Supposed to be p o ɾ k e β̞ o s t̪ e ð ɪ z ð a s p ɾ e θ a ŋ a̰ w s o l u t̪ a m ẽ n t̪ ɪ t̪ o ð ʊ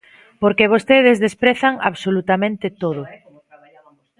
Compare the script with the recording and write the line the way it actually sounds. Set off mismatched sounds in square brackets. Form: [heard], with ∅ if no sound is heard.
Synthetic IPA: p o ɾ k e β̞ o s t̪ e ð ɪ z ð [e] s p ɾ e θ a ŋ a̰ [β] s o l u t̪ a m ẽ n t̪ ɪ t̪ o ð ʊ